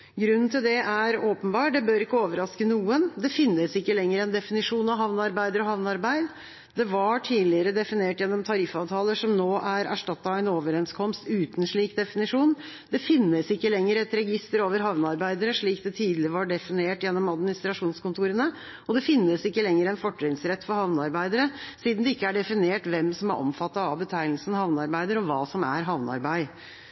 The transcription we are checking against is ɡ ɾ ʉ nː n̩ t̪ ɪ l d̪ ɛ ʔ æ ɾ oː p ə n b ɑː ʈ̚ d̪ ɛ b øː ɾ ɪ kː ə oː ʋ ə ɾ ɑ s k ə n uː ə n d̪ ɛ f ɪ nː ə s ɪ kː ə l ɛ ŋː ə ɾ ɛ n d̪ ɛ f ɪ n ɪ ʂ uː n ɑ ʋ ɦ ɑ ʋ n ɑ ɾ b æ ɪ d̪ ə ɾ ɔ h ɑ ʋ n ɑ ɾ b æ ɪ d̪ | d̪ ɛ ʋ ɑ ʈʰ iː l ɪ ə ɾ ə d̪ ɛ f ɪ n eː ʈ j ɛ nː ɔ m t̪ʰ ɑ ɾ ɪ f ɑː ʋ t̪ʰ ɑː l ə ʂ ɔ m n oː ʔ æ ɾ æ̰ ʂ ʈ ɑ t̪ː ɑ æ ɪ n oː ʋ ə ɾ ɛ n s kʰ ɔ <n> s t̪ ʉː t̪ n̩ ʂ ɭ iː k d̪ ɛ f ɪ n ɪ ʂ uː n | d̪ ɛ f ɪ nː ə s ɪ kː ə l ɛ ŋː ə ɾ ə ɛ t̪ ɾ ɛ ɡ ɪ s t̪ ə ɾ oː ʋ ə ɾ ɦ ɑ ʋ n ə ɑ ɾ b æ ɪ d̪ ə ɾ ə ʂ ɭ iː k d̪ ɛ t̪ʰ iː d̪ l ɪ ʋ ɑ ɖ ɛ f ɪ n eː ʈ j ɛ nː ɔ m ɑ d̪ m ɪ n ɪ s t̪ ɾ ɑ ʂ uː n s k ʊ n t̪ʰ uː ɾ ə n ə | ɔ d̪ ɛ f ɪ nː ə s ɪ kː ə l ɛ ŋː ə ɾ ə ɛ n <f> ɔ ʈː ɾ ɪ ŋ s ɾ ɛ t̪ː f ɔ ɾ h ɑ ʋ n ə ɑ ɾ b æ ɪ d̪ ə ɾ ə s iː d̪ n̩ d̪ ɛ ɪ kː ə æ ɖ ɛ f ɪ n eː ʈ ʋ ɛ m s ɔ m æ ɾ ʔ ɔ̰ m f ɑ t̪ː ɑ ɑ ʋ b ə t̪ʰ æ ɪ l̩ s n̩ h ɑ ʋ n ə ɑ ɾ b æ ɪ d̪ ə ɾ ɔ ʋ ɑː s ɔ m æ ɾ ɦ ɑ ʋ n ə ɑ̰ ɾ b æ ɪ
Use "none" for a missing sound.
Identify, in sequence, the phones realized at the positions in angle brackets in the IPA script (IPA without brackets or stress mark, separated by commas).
m, f